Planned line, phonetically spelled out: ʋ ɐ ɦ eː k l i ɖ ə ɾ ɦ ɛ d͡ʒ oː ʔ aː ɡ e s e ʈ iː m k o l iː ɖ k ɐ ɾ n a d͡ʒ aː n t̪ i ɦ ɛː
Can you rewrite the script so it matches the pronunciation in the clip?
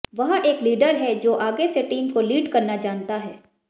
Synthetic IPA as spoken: ʋ ɐ ɦ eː k l iː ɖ ə ɾ ɦ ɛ d͡ʒ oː ʔ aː ɡ e s e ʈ iː m k o l iː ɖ k ɐ ɾ n a d͡ʒ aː n t̪ a ɦ ɛː